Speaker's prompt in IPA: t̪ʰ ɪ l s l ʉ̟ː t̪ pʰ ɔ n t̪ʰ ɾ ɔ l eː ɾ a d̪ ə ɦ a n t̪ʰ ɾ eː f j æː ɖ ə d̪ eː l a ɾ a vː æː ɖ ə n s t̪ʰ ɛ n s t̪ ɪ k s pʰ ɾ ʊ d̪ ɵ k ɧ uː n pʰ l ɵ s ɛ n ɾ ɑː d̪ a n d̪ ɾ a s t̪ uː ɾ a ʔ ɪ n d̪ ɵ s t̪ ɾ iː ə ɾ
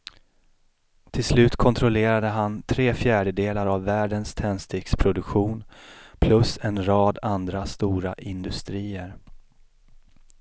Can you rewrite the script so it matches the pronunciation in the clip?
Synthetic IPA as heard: t̪ʰ ɪ l s l ʉ̟ː t̪ kʰ ɔ n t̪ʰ ɾ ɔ l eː ɾ a d̪ ə ɦ a n t̪ʰ ɾ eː f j æː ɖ ə d̪ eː l a ɾ a vː æː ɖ ə n s t̪ʰ ɛ n s t̪ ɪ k s pʰ ɾ ʊ d̪ ɵ k ɧ uː n pʰ l ɵ s ɛ n ɾ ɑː d̪ a n d̪ ɾ a s t̪ uː ɾ a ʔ ɪ n d̪ ɵ s t̪ ɾ iː ə ɾ